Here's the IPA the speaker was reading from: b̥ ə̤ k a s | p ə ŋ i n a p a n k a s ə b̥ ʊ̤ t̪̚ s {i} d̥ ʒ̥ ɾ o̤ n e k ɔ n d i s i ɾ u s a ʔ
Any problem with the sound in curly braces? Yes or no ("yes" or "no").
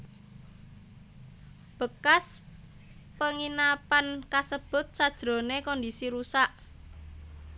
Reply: yes